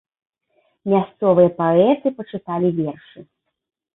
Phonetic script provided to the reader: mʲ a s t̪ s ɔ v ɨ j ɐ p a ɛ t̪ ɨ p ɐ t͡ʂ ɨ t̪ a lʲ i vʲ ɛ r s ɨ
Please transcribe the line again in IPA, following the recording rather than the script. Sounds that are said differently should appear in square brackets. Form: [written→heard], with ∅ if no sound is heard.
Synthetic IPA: mʲ a s t̪ s ɔ v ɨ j ɐ p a ɛ t̪ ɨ p ɐ t͡ʂ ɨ t̪ a lʲ i vʲ ɛ r [s→ʂ] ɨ